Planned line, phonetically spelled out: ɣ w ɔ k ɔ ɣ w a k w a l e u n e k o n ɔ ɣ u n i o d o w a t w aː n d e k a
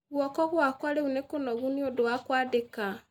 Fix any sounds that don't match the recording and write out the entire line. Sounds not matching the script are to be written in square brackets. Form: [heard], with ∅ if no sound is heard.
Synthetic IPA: ɣ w ɔ k ɔ ɣ w a k w a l e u n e k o n ɔ ɣ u n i o d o w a [k] w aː [∅] d e k a